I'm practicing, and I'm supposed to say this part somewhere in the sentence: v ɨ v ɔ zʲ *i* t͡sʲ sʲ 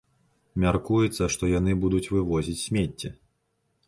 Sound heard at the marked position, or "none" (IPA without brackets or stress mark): i